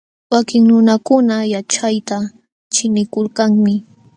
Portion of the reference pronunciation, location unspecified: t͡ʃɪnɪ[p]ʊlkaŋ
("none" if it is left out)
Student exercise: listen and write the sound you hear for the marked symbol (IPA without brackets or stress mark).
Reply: k